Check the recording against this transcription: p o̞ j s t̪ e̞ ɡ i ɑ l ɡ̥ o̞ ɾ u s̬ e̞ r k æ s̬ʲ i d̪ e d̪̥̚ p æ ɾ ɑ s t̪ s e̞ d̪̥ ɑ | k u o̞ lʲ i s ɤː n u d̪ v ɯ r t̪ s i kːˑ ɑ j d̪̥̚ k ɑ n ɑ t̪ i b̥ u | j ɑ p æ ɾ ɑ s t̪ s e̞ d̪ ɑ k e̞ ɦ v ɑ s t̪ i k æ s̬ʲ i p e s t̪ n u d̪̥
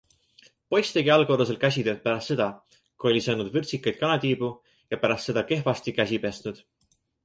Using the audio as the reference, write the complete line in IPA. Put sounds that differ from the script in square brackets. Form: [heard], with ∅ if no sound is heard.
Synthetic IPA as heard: p o̞ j s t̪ e̞ ɡ i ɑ l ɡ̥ o̞ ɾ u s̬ e̞ [l] k æ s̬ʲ i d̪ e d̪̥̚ p æ ɾ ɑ s t̪ s e̞ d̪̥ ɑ | k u o̞ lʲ i s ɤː n u d̪ v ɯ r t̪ s i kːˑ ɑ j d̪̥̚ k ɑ n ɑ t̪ [iː] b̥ u | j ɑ p æ ɾ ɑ s t̪ s e̞ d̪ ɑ k e̞ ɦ v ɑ s t̪ i k æ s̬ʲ i p e s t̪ n u d̪̥